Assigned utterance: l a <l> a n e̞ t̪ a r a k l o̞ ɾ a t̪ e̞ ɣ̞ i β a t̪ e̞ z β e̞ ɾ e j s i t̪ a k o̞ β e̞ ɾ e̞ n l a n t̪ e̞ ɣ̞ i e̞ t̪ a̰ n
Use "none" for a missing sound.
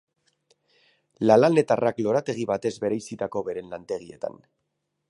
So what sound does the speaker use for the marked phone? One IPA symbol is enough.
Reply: l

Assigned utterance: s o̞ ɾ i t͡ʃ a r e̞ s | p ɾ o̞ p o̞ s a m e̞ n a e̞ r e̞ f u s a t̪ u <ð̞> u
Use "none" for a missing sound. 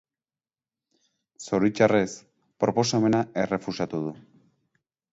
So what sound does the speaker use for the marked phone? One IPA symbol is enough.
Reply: ð̞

